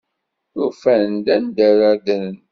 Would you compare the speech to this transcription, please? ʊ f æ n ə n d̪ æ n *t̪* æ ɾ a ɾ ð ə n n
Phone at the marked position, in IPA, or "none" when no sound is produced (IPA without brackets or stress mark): d̪